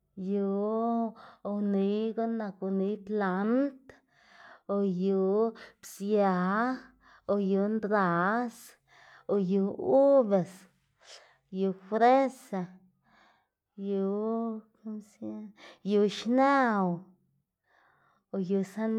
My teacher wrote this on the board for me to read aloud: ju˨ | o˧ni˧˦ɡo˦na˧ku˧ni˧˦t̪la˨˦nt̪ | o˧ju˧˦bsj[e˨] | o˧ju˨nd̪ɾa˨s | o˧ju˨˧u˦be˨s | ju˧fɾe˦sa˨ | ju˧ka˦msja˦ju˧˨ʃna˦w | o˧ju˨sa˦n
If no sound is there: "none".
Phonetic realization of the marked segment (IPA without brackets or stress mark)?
a˨